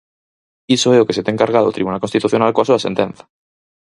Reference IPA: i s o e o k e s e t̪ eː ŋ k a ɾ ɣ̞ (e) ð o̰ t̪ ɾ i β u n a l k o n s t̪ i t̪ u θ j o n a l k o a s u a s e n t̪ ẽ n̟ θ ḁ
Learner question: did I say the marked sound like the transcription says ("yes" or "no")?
no